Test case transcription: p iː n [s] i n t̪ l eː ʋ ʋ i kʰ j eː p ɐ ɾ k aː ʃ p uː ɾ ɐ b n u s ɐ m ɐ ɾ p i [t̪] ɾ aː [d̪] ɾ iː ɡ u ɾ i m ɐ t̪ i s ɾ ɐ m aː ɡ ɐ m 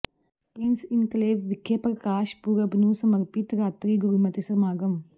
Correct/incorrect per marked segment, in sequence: correct, correct, incorrect: t̪

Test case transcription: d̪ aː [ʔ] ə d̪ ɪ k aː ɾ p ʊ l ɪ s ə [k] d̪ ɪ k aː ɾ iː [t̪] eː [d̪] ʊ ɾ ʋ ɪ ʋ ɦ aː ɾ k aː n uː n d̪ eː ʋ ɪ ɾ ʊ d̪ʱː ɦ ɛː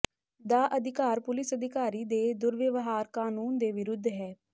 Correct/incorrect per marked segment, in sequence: correct, incorrect: none, incorrect: d̪, correct

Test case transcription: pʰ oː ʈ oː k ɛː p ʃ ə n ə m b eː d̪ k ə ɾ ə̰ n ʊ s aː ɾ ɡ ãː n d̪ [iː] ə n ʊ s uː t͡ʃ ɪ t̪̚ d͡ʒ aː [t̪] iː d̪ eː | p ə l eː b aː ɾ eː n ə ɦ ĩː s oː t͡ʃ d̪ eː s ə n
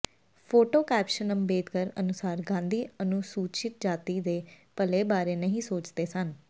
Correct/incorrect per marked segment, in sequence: correct, correct

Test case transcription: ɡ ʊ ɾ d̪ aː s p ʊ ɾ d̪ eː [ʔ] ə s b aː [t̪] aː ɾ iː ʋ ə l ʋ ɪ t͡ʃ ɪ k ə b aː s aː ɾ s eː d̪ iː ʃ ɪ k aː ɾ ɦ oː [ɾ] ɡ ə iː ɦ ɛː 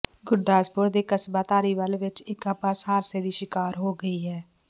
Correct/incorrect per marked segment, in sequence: incorrect: k, correct, incorrect: none

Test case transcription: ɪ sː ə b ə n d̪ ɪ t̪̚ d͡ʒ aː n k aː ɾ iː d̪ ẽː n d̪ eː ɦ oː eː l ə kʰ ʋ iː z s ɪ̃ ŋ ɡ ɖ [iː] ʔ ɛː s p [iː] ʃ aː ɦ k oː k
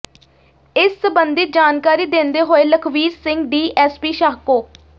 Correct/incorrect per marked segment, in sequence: correct, correct

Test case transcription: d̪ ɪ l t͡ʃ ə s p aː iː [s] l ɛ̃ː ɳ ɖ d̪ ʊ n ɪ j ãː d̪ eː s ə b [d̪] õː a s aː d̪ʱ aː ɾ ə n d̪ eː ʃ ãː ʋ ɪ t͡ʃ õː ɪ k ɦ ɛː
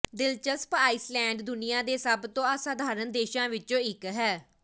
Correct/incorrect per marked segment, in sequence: correct, incorrect: t̪

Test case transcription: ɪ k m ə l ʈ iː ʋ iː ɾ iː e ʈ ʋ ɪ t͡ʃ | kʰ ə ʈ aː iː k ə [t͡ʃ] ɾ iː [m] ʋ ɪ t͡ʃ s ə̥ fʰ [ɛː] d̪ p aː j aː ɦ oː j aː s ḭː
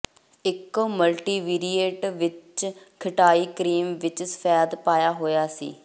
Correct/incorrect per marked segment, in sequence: incorrect: none, correct, correct

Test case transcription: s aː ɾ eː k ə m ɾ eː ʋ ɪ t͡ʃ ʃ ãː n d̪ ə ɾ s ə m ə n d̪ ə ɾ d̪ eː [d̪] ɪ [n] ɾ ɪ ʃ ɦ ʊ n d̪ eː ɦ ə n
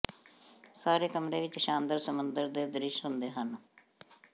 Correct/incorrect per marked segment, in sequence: correct, incorrect: none

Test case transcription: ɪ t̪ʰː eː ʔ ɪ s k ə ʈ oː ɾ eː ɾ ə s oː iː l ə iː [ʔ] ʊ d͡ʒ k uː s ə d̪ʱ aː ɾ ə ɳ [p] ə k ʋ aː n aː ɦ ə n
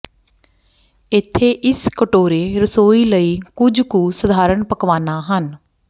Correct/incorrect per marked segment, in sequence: incorrect: k, correct

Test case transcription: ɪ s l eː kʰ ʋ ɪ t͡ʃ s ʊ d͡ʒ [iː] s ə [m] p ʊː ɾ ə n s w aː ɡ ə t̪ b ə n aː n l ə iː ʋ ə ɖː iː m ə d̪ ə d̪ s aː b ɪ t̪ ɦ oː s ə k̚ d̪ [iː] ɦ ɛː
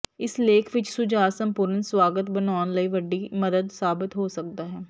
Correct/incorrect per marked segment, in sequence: incorrect: aː, correct, incorrect: aː

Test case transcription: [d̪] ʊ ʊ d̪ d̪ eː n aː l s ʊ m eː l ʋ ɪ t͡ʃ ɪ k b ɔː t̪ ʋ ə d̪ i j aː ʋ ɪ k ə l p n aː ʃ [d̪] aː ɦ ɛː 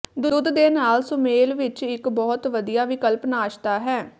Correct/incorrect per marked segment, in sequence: correct, incorrect: t̪

